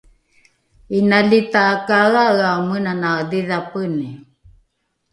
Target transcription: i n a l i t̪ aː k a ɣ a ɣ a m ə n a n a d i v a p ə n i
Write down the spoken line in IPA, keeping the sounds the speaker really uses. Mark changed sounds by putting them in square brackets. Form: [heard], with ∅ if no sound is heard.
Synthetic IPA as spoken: i n a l i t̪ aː k a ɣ a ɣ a m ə n a n a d i [ð] a p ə n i